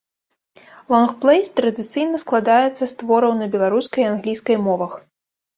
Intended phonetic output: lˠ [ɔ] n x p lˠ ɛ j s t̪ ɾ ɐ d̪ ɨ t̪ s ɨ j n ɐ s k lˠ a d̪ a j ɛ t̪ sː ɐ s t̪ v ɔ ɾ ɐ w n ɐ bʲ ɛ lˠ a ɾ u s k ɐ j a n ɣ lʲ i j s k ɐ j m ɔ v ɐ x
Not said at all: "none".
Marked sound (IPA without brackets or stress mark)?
ɔ